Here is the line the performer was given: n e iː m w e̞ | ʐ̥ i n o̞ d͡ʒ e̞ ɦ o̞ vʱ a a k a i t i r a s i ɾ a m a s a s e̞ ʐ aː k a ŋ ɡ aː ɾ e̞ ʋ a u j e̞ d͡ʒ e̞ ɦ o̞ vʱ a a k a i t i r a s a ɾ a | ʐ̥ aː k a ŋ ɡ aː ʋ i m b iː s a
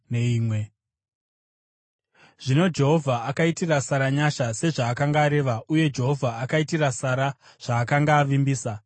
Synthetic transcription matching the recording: n e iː m w e̞ | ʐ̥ i n o̞ d͡ʒ e̞ ɦ o̞ vʱ a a k a i t i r a s a ɾ a ɲ a ʃ a s e̞ ʐ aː k a ŋ ɡ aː ɾ e̞ ʋ a u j e̞ d͡ʒ e̞ ɦ o̞ vʱ a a k a i t i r a s a ɾ a | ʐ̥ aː k a ŋ ɡ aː ʋ i m b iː s a